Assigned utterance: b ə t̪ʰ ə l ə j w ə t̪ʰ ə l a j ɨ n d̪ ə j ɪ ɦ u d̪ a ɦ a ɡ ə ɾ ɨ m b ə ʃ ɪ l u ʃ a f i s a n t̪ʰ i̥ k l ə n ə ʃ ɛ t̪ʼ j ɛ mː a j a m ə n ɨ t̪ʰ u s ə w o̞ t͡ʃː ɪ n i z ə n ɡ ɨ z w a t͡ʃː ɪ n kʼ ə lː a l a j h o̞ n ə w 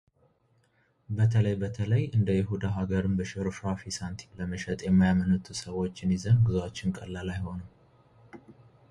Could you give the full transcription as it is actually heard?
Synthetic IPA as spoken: b ə t̪ʰ ə l ə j b ə t̪ʰ ə l ə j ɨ n d̪ ə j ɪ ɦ u d̪ a ɦ a ɡ ə ɾ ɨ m b ə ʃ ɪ ɾ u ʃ a f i s a n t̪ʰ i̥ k l ə m ə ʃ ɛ t̪ʼ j ɛ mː a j a m ə n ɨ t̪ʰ u s ə w o̞ t͡ʃː ɪ n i z ə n ɡ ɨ z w a t͡ʃː ɪ n kʼ ə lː a l a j h o̞ n ə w